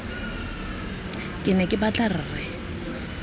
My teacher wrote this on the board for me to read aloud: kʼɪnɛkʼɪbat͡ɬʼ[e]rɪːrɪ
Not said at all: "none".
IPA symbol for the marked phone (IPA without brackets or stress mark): a